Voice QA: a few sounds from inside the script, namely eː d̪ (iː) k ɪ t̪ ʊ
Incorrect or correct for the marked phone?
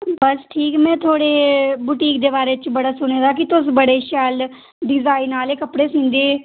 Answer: incorrect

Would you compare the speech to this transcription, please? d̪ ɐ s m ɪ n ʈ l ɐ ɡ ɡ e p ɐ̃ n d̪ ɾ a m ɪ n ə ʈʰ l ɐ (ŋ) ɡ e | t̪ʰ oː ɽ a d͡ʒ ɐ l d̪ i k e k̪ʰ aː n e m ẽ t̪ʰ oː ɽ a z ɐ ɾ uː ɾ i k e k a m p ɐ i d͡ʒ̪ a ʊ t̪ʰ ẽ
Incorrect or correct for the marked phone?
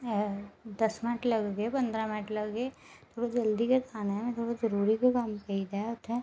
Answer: incorrect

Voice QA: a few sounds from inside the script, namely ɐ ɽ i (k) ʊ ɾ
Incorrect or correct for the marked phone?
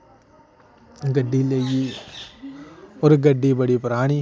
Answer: incorrect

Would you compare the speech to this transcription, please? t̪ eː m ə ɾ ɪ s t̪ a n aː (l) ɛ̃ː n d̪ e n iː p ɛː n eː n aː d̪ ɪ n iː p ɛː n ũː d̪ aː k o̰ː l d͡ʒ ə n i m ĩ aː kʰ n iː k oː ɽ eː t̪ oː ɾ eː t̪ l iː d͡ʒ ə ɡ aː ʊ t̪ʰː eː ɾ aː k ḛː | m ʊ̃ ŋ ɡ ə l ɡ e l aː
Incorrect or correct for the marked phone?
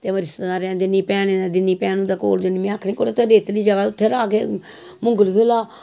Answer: incorrect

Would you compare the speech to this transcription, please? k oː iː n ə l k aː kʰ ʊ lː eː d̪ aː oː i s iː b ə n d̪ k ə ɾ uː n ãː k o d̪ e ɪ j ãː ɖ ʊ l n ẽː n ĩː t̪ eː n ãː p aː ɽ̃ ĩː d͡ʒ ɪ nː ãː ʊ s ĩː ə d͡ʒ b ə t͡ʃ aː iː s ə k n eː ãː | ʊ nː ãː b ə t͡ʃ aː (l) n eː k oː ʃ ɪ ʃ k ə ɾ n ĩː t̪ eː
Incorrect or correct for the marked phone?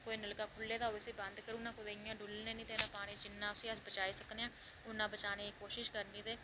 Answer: incorrect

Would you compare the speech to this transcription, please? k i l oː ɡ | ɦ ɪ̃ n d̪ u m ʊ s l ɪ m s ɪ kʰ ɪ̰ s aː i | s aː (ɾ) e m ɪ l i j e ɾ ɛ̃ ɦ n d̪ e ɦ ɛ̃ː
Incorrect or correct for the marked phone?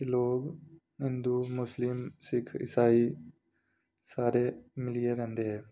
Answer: correct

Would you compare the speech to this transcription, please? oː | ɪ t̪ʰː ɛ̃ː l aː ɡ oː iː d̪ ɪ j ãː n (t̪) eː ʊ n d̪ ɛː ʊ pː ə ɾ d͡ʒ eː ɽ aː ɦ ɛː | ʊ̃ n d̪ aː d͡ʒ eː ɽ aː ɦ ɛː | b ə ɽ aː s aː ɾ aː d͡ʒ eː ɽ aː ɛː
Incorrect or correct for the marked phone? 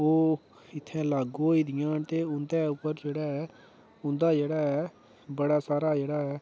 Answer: correct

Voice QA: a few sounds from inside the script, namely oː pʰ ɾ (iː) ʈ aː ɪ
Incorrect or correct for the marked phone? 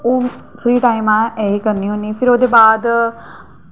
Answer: correct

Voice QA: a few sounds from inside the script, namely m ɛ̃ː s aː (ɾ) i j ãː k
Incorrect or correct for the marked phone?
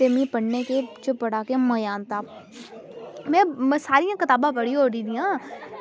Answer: correct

